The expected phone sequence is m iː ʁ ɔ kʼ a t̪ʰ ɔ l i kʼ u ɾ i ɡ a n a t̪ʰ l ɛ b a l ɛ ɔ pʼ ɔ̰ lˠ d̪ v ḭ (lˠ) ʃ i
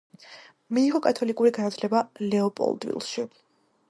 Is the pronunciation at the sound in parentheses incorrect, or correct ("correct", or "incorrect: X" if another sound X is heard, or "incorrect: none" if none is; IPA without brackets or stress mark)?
correct